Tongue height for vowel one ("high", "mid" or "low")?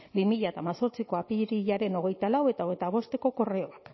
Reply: high